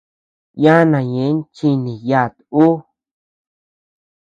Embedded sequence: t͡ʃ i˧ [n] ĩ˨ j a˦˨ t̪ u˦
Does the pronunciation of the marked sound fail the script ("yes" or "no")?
no